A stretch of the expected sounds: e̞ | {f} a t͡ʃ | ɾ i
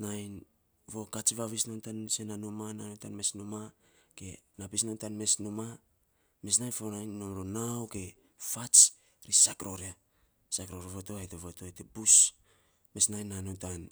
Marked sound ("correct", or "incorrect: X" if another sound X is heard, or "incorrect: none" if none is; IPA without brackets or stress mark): correct